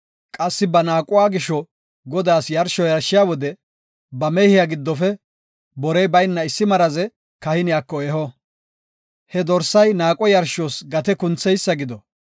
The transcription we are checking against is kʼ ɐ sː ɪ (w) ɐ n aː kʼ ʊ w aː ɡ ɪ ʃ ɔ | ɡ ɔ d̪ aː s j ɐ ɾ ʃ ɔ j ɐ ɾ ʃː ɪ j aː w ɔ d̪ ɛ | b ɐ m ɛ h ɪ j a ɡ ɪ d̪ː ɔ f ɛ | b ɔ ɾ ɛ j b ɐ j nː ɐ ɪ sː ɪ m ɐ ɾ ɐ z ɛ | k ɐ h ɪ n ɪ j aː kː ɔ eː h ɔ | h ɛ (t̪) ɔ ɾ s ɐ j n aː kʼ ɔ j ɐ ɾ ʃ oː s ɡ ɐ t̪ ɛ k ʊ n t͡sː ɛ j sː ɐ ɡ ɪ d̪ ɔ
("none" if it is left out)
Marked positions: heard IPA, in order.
b, d̪

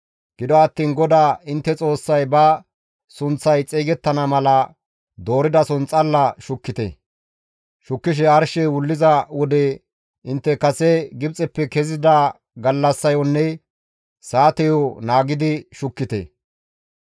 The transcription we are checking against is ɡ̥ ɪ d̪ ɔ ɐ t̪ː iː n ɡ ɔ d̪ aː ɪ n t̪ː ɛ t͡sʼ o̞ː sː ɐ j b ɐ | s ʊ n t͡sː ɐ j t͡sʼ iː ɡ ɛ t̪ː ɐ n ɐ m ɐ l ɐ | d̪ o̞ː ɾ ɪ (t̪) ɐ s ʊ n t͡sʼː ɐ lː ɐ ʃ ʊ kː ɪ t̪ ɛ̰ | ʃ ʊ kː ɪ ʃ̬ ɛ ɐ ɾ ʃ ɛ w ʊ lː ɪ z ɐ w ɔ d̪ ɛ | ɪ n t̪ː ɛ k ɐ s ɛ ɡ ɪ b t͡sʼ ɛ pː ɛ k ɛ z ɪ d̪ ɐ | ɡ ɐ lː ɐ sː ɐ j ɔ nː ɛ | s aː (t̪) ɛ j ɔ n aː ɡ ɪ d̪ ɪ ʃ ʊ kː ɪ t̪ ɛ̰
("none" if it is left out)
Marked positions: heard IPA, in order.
d̪, t̪

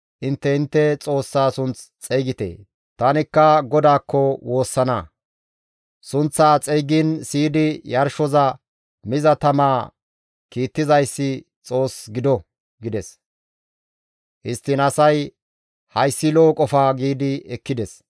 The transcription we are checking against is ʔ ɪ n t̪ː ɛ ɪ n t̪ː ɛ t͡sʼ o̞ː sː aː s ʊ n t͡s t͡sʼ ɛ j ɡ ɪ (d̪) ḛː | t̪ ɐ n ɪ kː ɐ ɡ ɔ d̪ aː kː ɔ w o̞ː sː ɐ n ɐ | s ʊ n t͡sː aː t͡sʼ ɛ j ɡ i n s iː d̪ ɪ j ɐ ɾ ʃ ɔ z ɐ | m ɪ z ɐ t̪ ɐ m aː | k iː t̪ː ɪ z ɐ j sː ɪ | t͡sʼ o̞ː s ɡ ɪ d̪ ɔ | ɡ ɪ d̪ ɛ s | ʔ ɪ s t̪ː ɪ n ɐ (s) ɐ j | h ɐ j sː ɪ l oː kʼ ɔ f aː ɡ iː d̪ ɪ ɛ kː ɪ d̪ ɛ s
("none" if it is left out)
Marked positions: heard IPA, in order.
t̪, s

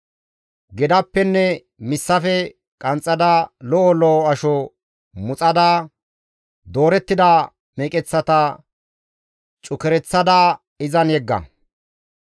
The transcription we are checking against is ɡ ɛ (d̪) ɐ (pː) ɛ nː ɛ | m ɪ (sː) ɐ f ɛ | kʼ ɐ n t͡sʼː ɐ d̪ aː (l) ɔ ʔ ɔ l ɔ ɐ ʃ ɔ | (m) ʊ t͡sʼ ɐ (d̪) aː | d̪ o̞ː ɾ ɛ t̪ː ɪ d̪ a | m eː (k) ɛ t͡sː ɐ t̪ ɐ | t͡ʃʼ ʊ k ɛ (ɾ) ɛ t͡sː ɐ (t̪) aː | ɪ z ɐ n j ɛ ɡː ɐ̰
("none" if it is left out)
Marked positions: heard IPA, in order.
d̪, pː, sː, l, m, d̪, kʼ, ɾ, d̪

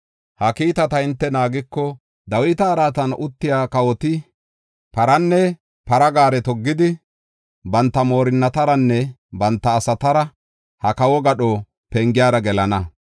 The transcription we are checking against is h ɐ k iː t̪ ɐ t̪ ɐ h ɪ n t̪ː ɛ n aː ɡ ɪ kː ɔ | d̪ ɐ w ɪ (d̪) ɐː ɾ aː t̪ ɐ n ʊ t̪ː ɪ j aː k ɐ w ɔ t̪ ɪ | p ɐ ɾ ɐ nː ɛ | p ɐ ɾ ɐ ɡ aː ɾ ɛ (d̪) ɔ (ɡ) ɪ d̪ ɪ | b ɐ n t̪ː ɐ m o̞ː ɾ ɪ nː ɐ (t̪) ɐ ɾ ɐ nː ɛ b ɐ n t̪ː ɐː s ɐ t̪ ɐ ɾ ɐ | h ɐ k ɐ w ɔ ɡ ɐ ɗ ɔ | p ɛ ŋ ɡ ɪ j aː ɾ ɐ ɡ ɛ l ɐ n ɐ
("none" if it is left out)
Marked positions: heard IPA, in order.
t̪, t̪, ɡː, t̪

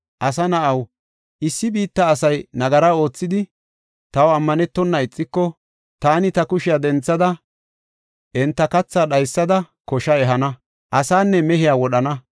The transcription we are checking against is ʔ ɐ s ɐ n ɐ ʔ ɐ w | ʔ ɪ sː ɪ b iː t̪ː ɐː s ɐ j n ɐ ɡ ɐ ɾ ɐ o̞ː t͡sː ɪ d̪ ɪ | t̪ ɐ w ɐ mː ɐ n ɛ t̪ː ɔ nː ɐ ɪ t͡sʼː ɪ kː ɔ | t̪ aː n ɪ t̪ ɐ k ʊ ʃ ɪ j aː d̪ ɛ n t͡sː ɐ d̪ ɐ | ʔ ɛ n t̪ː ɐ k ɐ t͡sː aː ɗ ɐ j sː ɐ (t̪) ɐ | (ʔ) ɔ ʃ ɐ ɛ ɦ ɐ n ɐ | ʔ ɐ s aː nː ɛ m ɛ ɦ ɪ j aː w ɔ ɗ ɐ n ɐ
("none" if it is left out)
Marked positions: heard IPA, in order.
d̪, k

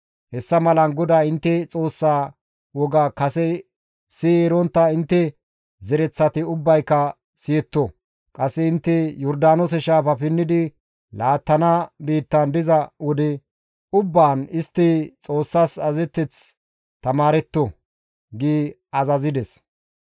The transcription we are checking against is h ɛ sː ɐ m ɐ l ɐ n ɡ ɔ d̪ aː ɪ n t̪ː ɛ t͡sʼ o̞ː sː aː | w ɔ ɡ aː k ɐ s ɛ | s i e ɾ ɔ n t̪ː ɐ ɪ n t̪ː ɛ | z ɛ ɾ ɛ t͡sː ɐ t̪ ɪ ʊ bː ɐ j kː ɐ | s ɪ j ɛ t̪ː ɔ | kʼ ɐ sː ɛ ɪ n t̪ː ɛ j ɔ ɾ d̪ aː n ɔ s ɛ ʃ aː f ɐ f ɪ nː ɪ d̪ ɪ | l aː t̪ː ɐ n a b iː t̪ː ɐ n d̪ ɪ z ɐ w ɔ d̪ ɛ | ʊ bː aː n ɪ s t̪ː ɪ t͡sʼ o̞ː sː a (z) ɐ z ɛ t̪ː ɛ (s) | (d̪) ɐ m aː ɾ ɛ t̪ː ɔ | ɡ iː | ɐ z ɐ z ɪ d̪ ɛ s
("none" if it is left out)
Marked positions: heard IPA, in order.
s, t͡s, t̪

